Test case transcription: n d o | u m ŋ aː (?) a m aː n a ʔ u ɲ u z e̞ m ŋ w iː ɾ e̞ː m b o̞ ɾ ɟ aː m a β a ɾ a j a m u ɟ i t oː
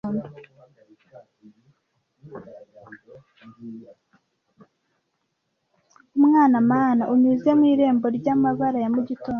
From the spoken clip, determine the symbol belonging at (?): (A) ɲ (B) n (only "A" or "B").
B